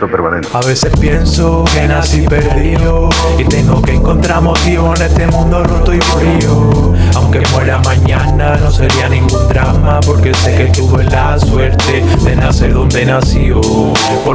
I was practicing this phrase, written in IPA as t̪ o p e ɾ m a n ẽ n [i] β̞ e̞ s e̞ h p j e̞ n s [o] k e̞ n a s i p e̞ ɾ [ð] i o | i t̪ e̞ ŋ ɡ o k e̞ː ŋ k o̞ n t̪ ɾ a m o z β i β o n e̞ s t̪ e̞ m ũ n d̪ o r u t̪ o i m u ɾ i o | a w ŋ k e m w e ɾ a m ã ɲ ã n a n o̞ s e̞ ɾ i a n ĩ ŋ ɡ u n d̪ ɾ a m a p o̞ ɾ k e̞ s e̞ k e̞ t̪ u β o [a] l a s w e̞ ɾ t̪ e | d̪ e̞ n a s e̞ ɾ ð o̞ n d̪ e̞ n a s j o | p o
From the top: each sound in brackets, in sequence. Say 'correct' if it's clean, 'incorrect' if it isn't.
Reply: incorrect: a, correct, correct, incorrect: e

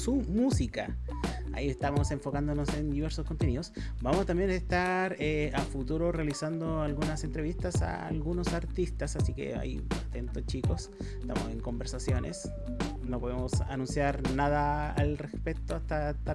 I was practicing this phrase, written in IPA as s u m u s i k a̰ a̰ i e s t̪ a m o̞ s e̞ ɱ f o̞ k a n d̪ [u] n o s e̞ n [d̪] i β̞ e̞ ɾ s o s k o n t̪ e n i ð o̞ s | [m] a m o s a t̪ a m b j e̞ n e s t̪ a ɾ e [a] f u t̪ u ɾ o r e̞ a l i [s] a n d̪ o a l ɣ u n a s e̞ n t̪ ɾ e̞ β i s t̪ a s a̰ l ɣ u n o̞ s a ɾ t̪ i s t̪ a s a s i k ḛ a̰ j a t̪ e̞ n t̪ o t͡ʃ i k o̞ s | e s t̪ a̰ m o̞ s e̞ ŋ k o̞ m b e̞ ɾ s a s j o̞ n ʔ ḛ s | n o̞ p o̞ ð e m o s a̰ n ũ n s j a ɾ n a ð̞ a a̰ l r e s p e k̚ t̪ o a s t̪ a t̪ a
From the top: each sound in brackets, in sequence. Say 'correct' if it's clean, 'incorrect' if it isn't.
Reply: incorrect: o, correct, incorrect: b, correct, correct

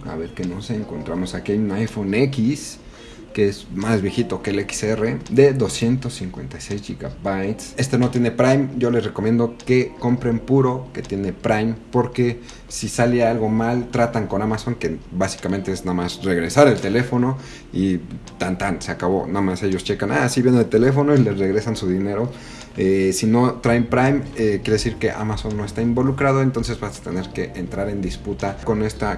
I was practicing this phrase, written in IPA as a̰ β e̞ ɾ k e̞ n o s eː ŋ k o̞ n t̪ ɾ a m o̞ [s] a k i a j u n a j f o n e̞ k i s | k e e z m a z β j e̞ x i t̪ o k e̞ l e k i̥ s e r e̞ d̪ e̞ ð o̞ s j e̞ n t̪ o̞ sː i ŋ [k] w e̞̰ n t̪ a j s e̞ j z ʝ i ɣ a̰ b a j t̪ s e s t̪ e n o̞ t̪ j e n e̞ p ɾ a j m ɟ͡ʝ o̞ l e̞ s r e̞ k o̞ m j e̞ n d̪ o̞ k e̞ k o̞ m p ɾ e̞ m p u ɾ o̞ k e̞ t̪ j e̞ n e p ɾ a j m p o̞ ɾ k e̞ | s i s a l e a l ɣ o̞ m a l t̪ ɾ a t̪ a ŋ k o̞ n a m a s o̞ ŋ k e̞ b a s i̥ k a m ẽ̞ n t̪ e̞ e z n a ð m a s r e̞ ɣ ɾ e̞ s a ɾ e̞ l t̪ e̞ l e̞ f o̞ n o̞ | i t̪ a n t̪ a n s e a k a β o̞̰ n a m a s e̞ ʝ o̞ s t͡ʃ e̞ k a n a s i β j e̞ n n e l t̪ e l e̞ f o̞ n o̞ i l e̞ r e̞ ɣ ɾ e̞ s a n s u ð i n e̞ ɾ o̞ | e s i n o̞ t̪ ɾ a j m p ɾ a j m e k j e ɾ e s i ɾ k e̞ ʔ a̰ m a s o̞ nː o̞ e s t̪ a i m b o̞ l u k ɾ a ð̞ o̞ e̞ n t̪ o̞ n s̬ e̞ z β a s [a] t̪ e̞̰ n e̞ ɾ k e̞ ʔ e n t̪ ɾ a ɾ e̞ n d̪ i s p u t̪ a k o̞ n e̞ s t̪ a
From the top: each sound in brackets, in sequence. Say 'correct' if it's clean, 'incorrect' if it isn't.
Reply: correct, correct, correct

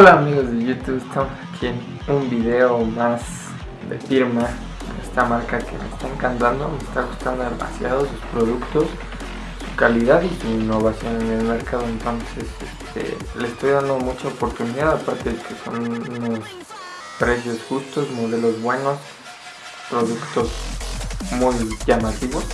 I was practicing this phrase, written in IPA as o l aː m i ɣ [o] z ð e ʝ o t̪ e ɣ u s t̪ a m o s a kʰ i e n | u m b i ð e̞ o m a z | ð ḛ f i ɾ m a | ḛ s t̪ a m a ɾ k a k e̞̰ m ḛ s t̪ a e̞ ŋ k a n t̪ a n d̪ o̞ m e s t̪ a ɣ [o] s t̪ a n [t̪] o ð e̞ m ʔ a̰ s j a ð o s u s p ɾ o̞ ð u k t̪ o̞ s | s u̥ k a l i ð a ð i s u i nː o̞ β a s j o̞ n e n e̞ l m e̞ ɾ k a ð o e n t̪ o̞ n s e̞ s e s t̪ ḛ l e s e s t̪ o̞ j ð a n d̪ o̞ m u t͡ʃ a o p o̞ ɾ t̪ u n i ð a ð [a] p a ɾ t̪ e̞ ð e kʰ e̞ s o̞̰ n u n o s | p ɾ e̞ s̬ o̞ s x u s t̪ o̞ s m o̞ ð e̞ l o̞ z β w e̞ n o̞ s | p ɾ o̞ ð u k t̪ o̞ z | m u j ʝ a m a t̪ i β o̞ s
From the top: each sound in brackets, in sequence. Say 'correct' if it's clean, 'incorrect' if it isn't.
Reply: correct, incorrect: u, incorrect: d̪, correct

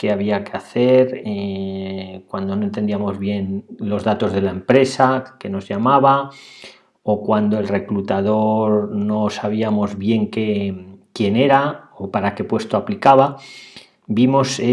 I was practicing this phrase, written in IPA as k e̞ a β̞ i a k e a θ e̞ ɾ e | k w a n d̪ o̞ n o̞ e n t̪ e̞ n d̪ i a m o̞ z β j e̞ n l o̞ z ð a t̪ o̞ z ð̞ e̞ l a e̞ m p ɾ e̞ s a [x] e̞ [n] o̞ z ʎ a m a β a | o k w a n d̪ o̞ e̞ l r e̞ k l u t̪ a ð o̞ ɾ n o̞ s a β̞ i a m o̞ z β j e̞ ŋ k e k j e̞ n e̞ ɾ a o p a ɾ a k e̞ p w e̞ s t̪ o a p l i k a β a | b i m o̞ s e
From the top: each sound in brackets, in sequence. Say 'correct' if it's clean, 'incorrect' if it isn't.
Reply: incorrect: k, correct

